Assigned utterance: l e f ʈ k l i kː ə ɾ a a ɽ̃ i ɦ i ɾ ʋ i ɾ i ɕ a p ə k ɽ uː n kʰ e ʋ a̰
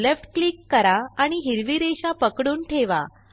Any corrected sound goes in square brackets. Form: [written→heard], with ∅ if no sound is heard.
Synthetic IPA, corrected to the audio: l e f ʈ k l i kː ə ɾ a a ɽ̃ i ɦ i ɾ ʋ i ɾ [i→e] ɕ a p ə k ɽ uː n [kʰ→ʈʰ] e ʋ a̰